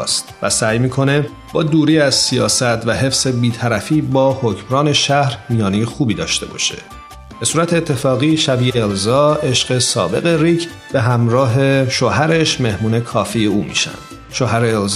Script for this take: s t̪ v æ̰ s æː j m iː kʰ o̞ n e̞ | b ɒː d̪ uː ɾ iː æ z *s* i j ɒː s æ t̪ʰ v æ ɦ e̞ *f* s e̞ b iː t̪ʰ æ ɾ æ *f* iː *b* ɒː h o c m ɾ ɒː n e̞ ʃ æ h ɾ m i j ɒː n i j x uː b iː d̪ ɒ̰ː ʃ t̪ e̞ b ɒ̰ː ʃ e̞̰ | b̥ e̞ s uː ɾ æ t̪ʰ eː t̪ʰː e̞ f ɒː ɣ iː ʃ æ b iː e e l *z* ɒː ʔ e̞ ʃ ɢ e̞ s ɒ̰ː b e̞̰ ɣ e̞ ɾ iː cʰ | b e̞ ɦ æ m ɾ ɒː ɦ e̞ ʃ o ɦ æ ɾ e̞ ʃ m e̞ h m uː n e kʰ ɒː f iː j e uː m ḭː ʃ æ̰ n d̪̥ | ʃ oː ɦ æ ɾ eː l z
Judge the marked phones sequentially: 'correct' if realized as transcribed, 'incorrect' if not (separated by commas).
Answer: correct, correct, correct, correct, correct